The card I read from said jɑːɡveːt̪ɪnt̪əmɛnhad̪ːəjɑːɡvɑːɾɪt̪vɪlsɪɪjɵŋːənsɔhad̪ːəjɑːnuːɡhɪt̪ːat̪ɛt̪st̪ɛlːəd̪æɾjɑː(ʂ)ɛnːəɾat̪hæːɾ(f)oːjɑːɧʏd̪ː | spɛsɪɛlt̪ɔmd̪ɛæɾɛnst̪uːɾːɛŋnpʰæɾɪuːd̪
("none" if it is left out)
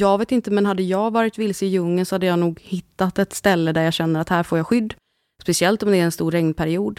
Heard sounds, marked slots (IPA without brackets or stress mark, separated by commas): ɕ, f